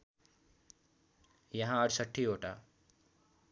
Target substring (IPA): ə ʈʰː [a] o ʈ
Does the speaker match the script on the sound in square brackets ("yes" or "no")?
no